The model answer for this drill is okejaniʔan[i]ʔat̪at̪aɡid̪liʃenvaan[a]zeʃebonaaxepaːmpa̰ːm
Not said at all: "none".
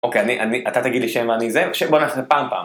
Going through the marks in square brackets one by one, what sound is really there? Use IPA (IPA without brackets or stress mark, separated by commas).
i, i